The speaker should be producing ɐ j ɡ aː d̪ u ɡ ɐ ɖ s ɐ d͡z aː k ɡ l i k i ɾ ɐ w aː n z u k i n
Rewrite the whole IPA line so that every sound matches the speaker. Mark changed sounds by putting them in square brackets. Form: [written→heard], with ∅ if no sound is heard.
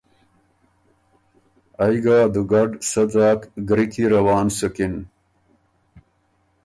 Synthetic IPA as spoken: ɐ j ɡ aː d̪ u ɡ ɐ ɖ s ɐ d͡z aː k ɡ [l→ɾ] i k i ɾ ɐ w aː n [z→s] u k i n